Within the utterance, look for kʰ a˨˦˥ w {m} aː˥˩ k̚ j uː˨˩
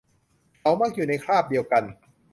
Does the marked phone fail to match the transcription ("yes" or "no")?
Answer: no